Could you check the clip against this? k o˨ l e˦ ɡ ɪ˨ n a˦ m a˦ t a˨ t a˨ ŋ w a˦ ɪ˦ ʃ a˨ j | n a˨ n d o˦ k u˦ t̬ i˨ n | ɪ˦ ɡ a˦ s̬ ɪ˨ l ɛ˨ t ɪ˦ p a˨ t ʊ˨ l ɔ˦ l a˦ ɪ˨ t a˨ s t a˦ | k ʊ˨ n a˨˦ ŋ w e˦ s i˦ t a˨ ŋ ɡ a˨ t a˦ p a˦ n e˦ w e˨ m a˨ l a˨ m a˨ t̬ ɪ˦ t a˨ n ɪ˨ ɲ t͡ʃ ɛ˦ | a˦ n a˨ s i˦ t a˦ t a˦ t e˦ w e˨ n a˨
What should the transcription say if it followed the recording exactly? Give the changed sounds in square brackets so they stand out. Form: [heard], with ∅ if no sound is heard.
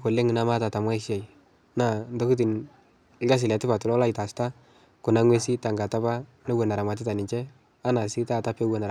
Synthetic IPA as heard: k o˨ l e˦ [ŋ] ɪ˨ n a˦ m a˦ t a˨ t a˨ [m] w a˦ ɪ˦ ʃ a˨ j | n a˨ n d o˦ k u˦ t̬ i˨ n | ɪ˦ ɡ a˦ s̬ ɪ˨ l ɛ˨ t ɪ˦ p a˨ t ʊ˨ l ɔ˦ l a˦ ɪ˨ t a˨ s t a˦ | k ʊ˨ n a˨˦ ŋ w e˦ s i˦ t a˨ ŋ ɡ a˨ t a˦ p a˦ n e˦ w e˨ [n] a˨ [ɾ] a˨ m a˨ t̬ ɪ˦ t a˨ n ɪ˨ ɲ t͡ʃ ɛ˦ | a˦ n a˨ s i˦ t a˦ t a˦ [p] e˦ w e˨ n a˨